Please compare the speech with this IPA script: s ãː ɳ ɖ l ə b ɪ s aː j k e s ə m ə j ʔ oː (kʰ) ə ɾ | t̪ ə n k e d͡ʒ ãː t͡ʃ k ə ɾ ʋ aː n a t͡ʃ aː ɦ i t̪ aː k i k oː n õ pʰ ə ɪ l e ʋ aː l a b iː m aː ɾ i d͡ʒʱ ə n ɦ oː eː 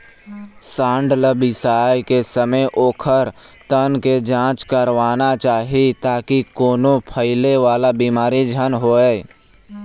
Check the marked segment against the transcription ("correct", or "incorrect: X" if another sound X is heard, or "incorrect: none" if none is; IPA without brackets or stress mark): correct